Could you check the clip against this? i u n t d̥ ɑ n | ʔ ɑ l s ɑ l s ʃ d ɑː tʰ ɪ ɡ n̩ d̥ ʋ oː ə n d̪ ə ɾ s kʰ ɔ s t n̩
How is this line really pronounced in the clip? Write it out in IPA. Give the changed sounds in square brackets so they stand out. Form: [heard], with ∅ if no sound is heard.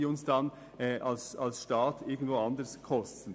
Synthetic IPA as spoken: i [ʊ] n [s] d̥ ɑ n | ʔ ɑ l s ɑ l s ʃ [t] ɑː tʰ ɪ ɡ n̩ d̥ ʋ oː [ɑ] n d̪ ə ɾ s kʰ ɔ s t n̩